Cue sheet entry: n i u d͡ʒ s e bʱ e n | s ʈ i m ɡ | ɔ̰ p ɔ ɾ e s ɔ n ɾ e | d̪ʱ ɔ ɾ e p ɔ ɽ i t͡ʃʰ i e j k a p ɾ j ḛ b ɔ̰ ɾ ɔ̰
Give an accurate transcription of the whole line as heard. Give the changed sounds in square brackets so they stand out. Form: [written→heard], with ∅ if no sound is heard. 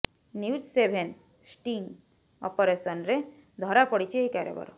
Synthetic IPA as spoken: n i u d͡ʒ s e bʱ e n | s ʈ i [m→ŋ] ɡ | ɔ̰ p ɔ ɾ e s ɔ n ɾ e | d̪ʱ ɔ ɾ [e→a] p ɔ ɽ i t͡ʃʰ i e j k a [p→∅] ɾ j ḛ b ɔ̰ ɾ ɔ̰